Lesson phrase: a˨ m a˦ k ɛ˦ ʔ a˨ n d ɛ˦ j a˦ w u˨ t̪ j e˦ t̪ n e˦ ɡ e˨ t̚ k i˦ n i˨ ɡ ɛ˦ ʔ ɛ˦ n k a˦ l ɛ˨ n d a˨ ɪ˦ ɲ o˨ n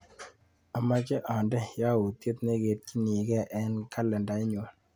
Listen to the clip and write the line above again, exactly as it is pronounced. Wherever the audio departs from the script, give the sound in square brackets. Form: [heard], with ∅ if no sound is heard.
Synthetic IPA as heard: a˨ m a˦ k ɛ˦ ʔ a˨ n d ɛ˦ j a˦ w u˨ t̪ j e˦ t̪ n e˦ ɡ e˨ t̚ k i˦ n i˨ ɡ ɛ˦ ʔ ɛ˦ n k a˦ l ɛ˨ n d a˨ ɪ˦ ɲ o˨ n